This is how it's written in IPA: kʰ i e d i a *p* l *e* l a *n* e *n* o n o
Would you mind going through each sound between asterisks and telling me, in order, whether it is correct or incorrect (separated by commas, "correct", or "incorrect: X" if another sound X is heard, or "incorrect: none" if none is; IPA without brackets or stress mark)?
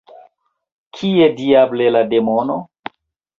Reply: incorrect: b, correct, incorrect: d, incorrect: m